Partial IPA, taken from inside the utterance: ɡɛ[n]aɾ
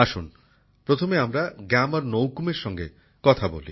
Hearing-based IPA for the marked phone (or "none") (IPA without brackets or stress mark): m